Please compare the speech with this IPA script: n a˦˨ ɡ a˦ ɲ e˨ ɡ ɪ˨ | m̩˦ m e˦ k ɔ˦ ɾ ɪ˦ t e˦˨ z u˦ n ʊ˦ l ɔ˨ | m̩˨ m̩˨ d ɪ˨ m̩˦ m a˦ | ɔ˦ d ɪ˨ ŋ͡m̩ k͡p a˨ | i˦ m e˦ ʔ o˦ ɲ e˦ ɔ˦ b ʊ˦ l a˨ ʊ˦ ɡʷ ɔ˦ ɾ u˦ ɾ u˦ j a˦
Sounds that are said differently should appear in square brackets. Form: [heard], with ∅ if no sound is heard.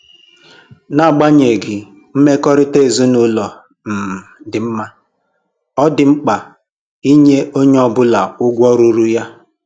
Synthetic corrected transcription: n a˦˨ [ɡ͡b] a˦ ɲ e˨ ɡ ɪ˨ | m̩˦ m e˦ k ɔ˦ ɾ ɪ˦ t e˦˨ z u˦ n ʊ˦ l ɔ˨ | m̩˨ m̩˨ d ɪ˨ m̩˦ m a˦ | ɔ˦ d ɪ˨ ŋ͡m̩ k͡p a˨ | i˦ [ɲ] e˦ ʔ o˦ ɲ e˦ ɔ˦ b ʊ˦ l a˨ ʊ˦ ɡʷ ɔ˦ ɾ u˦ ɾ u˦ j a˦